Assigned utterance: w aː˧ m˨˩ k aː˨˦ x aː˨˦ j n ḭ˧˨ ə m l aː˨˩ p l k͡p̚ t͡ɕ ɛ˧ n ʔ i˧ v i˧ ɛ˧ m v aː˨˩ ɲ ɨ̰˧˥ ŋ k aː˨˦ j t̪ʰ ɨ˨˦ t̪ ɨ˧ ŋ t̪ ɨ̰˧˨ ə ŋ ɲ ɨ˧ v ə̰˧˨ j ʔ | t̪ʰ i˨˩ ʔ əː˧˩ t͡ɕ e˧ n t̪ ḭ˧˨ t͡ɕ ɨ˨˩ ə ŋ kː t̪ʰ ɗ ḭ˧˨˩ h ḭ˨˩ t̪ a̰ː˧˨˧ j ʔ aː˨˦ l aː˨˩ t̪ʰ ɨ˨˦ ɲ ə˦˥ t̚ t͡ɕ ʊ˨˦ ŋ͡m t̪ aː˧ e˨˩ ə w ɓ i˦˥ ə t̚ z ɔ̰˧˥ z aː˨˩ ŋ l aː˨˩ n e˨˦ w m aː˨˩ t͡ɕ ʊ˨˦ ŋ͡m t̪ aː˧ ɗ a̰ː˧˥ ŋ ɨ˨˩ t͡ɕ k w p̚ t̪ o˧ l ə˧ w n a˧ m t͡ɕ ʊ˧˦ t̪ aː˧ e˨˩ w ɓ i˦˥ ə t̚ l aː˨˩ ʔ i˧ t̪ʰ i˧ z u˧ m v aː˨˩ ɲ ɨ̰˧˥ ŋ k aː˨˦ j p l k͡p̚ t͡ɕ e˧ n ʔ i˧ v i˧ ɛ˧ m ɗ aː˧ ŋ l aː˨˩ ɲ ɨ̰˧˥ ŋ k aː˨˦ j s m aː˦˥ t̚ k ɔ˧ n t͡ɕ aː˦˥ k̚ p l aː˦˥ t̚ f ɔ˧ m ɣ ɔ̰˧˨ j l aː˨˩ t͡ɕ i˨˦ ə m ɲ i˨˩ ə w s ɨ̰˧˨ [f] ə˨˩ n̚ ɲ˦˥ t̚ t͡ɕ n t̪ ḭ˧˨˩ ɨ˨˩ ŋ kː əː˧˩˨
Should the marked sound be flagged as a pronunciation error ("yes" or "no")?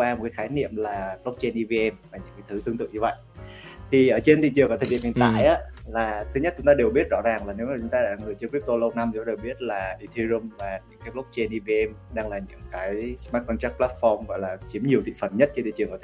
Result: no